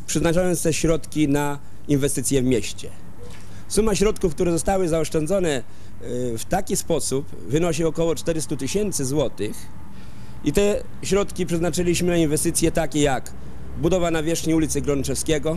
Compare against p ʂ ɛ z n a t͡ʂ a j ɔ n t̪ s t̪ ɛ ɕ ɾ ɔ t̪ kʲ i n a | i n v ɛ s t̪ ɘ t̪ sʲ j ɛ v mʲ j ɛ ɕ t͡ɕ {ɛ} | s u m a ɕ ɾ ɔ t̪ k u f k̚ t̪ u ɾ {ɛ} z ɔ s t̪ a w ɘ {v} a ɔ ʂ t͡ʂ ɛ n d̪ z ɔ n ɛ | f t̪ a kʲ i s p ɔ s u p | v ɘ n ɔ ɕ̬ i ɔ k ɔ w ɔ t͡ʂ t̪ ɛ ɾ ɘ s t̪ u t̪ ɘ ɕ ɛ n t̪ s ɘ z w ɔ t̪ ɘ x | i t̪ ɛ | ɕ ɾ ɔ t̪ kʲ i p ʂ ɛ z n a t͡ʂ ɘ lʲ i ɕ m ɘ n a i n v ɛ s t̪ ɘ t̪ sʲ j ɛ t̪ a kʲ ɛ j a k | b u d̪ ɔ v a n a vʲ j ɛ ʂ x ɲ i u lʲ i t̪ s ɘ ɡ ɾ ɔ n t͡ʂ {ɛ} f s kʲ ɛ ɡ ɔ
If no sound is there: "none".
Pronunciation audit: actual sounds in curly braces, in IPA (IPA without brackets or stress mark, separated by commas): ɛ, ɛ, z, ɛ